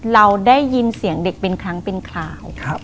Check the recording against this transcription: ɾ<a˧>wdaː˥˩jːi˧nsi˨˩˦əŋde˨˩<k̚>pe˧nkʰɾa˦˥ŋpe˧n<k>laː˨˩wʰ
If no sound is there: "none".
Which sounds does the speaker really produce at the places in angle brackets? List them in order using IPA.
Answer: a˧, k̚, kʰ

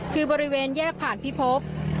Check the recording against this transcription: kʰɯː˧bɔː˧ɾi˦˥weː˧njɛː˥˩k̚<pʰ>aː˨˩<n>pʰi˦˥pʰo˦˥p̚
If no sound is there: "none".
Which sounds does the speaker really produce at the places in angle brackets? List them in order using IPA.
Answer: pʰ, n

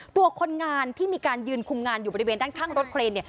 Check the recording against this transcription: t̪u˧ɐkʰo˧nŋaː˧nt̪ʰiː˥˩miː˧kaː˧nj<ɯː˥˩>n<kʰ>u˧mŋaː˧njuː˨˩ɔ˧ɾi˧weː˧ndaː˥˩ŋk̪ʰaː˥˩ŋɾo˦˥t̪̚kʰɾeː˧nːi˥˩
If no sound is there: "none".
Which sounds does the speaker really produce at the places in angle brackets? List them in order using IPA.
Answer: ɯː˧, kʰ

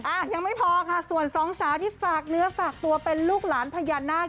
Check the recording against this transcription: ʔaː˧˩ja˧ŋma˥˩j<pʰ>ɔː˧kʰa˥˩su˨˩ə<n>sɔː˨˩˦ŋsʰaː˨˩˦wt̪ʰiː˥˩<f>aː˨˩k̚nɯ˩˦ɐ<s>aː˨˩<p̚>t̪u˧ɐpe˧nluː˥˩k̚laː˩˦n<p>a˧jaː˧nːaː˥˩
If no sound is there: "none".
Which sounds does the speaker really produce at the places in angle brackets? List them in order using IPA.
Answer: pʰ, n, f, f, k̚, pʰ

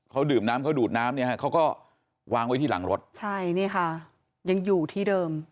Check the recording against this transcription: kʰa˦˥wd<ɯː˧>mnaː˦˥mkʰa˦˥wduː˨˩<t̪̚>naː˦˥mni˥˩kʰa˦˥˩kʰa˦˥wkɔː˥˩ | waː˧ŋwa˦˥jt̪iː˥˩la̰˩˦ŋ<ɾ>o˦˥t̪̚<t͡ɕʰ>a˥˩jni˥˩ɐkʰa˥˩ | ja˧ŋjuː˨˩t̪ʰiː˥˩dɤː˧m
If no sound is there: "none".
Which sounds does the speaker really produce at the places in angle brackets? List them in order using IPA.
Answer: ɯː˨˩, t̪̚, ɾ, t͡ɕʰ

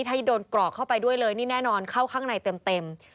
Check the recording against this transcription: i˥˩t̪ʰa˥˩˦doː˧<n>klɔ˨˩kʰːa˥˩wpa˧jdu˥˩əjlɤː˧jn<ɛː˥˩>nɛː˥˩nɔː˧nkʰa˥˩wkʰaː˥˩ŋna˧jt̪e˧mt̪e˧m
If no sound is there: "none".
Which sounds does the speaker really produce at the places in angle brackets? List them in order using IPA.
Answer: n, iː˥˩

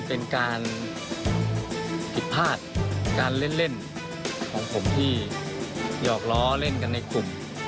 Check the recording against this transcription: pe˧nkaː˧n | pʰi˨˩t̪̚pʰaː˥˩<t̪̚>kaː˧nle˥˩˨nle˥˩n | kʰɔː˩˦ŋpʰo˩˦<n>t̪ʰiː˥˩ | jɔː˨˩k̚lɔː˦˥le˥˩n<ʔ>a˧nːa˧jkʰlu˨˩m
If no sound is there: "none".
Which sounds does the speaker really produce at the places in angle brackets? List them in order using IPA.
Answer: t̪̚, m, k

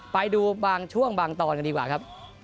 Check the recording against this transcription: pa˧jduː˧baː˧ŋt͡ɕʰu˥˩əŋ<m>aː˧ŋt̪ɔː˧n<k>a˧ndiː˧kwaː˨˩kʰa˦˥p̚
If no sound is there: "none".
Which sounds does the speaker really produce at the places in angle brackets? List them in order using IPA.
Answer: b, k

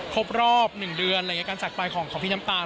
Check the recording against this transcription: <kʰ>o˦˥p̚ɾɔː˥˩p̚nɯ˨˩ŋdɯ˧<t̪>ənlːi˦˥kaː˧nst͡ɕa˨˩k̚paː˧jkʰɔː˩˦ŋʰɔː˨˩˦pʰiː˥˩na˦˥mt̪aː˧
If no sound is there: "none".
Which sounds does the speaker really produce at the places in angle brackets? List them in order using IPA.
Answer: kʰ, none

